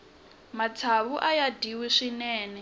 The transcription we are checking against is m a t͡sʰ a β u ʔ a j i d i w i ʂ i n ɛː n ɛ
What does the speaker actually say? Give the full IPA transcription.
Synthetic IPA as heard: m a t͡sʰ a β u ʔ a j a d i w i ʂ i n ɛː n ɛ